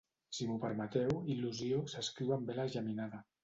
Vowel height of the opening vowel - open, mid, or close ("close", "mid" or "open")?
close